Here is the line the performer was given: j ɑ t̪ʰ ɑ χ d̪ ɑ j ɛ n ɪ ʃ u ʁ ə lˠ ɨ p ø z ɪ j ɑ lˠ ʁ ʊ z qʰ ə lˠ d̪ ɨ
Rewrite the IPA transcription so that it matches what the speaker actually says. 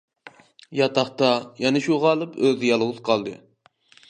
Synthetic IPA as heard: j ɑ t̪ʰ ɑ χ t̪ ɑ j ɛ n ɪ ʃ u ʁ ɑ lˠ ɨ p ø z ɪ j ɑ lˠ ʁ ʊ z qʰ ɑ lˠ d̪ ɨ